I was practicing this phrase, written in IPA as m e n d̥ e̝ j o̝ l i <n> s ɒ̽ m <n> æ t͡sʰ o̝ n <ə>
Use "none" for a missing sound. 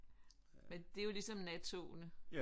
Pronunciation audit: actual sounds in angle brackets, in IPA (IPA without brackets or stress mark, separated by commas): none, n, ə